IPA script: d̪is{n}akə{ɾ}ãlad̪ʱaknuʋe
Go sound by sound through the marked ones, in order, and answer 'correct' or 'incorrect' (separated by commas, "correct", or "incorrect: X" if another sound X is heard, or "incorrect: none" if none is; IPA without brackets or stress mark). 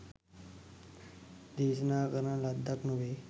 correct, correct